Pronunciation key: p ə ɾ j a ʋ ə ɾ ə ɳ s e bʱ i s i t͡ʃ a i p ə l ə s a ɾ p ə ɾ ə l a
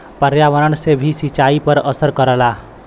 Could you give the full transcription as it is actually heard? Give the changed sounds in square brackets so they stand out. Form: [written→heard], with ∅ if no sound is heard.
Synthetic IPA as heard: p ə ɾ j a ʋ ə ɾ ə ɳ s e bʱ i s i t͡ʃ a i p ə [l→ɾ] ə s [a→ə] ɾ [p→k] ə ɾ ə l a